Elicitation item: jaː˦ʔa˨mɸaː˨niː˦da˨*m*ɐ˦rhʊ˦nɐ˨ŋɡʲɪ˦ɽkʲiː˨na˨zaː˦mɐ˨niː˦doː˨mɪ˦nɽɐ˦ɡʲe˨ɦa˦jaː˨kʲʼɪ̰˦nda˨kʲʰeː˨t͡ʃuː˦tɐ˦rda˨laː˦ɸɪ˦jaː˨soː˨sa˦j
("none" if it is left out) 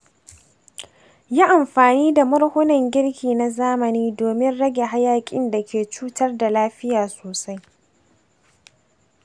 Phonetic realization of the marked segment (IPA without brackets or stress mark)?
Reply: m